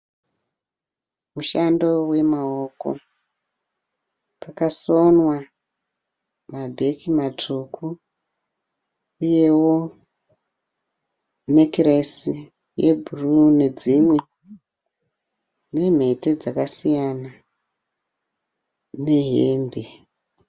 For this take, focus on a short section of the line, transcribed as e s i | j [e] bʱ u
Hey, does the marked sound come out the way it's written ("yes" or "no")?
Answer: yes